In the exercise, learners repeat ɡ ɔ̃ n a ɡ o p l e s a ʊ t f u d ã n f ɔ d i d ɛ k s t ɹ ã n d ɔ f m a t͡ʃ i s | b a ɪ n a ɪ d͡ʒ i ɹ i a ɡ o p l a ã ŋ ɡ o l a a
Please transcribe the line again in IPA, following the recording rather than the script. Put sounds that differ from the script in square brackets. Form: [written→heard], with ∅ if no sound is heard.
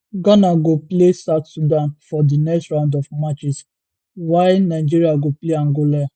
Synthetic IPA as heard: ɡ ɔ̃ n a ɡ o p l e s a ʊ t [f→s] u d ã n f ɔ d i [d→n] ɛ k s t ɹ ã n d ɔ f m a t͡ʃ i s | [b→w] a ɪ n a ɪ d͡ʒ i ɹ i a ɡ o p l [a→e] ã ŋ ɡ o l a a